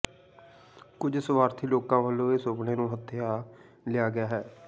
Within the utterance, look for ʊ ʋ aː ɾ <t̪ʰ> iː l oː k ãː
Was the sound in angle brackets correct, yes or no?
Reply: yes